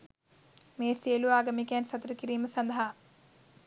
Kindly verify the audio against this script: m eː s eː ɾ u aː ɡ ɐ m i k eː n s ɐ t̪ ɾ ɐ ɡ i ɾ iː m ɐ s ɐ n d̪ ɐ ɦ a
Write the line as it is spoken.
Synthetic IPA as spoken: m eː s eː l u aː ɡ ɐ m i k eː n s ɐ t̪ ɾ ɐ k i ɾ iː m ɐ s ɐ n d̪ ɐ ɦ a